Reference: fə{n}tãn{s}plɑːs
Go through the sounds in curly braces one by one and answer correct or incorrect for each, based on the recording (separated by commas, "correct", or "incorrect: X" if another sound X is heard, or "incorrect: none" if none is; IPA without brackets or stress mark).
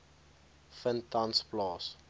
correct, correct